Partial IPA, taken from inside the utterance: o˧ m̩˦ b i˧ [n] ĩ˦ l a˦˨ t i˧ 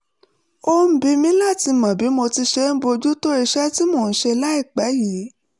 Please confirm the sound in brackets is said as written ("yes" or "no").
no